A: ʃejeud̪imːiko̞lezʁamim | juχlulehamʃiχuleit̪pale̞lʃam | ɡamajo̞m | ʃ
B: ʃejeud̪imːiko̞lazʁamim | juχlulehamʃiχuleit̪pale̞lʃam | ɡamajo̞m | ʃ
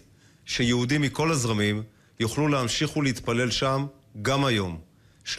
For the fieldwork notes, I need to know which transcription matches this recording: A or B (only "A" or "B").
B